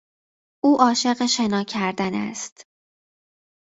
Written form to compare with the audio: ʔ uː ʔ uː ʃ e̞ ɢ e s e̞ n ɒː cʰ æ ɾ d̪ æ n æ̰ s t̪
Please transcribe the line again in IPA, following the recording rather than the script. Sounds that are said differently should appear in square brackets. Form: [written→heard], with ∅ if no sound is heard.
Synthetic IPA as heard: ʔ uː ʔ [uː→ɒː] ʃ e̞ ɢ e [s→ʃ] e̞ n ɒː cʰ æ ɾ d̪ æ n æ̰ s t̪